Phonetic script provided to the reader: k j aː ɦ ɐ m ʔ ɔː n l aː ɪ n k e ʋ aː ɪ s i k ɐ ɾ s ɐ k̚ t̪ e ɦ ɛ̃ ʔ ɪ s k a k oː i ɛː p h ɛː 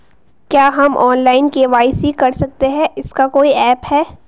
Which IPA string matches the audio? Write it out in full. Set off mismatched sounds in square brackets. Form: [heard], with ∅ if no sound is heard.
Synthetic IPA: k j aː ɦ ɐ m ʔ ɔː n l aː ɪ n k e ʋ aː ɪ s i k ɐ ɾ s ɐ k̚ t̪ e ɦ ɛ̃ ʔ ɪ s k a k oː i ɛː p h ɛː